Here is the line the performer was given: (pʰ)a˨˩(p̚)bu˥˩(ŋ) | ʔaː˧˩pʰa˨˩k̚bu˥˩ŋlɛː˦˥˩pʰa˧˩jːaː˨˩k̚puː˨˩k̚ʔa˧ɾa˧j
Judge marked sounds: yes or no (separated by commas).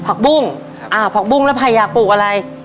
yes, no, yes